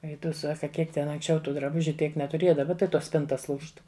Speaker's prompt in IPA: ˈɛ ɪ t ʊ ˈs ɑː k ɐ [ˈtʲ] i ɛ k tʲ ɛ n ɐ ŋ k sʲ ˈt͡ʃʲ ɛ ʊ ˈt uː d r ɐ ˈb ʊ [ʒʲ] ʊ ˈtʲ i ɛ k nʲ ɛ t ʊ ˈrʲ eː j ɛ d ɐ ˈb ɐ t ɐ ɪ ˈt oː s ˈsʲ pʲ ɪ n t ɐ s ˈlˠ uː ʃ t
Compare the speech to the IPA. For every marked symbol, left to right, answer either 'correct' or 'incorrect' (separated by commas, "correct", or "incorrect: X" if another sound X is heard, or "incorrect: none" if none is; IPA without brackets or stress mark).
incorrect: kʲ, correct